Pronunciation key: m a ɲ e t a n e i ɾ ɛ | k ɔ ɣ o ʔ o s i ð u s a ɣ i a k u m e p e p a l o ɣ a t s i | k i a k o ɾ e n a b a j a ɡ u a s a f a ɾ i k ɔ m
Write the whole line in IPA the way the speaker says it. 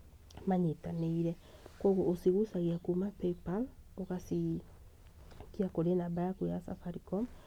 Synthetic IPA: m a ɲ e t a n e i ɾ ɛ | k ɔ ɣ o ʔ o s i ɣ u s a ɣ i a k u m a p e p a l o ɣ a s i | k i a k o ɾ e n a b a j a k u a s a f a ɾ i k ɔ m